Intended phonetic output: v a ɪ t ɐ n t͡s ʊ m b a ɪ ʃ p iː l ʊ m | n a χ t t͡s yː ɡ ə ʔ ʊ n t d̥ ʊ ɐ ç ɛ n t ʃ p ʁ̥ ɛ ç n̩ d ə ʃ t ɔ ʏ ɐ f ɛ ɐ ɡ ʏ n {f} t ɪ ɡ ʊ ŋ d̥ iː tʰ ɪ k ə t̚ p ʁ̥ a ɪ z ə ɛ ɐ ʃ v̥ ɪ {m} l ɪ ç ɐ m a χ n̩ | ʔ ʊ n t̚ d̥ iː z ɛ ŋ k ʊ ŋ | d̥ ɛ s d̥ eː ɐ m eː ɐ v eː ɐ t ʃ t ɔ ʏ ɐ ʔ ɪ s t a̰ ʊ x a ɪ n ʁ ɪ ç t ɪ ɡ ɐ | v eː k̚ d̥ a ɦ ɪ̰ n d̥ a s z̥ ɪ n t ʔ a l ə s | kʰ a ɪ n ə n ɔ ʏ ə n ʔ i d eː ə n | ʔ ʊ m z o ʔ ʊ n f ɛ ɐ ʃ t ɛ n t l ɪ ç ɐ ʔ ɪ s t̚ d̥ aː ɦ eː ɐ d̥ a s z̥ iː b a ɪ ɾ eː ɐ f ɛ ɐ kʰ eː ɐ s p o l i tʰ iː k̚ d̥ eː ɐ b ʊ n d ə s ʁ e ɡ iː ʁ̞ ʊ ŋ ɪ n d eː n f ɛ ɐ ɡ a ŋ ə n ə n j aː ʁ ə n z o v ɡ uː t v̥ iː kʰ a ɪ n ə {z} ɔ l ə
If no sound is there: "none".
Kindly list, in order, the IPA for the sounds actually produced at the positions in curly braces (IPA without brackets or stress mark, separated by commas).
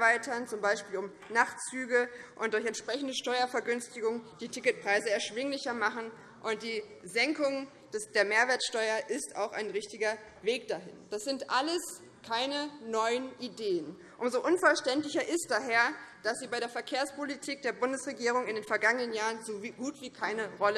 s, ŋ, ʁ